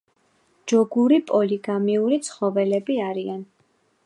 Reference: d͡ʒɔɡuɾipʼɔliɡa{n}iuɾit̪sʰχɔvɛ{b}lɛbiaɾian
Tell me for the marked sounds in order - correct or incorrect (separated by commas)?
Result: incorrect, incorrect